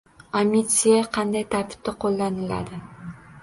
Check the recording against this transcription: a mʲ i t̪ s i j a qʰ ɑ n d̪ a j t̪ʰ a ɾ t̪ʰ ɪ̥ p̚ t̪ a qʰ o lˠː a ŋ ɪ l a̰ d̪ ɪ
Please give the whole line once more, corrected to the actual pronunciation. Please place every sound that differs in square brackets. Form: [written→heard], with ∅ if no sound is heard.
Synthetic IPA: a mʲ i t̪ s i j a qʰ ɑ n d̪ a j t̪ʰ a ɾ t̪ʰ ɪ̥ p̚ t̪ a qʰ o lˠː a [ŋ→n] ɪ l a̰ d̪ ɪ